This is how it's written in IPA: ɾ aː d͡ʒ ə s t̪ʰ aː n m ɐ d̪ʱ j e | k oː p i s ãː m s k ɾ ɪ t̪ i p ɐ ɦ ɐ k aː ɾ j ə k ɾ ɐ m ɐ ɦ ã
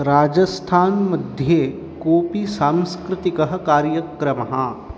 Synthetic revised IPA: ɾ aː d͡ʒ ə s t̪ʰ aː n m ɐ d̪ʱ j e | k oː p i s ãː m s k ɾ ɪ t̪ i k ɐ ɦ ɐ k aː ɾ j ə k ɾ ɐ m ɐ ɦ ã